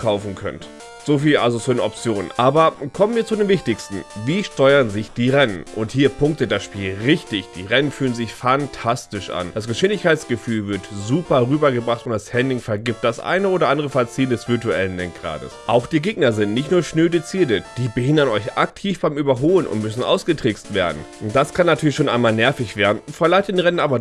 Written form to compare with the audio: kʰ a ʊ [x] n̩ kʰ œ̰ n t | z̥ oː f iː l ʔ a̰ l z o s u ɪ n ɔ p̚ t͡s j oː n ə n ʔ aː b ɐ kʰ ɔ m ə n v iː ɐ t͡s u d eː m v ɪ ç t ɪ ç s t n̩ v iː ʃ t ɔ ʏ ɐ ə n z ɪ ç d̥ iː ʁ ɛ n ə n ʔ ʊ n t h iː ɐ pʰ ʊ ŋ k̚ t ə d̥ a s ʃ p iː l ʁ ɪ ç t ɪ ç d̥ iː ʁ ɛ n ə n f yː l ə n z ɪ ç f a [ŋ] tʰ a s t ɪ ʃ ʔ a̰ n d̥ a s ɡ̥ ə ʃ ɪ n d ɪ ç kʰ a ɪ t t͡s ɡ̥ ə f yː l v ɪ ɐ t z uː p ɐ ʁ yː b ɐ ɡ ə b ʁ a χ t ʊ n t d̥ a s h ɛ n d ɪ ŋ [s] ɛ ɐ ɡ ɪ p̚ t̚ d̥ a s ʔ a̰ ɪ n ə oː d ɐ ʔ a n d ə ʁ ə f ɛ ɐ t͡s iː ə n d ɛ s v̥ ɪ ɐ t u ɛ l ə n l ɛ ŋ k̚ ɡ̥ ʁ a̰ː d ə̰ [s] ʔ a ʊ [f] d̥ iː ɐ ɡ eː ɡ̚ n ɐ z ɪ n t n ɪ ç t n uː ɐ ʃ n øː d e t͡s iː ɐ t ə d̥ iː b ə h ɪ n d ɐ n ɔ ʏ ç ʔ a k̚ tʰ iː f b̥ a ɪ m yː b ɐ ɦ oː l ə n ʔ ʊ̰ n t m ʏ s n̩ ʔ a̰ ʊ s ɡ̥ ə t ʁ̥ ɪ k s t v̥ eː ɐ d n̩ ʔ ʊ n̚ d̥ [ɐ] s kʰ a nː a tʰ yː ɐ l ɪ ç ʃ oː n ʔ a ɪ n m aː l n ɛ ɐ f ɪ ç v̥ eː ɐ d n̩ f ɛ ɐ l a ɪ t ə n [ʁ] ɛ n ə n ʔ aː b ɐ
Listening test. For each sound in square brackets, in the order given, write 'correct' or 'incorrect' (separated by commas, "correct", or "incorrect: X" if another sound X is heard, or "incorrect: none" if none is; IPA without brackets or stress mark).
incorrect: f, incorrect: n, incorrect: f, correct, incorrect: x, incorrect: a, correct